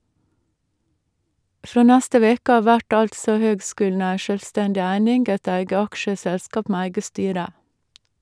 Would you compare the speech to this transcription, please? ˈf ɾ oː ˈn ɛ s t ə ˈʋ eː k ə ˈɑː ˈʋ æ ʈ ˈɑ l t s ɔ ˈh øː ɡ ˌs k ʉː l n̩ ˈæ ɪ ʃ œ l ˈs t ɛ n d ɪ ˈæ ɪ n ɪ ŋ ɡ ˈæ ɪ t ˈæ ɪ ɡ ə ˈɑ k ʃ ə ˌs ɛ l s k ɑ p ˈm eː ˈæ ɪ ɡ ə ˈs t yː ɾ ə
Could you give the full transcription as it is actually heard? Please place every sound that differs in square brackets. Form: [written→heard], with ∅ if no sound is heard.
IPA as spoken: ˈf ɾ oː ˈn [ɛ→æ] s t ə ˈʋ eː k ə ˈɑː ˈʋ æ ʈ ˈɑ l t s ɔ ˈh øː ɡ ˌs k ʉː l n̩ ˈæ ɪ ʃ œ l ˈs t ɛ n d ɪ ˈæ ɪ n ɪ ŋ ɡ ˈæ ɪ t ˈæ ɪ ɡ ə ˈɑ k ʃ ə ˌs ɛ l s k ɑ p ˈm eː ˈæ ɪ ɡ ə ˈs t yː ɾ ə